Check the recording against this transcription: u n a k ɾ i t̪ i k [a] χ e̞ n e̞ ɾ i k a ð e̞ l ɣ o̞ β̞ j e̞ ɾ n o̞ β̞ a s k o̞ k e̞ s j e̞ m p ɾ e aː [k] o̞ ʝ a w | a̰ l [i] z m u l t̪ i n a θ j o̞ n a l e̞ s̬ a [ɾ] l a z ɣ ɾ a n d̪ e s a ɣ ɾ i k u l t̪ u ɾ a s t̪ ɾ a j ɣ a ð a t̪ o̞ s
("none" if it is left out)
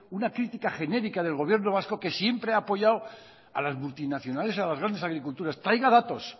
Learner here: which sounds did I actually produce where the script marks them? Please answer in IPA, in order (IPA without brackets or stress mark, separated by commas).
a, p, a, none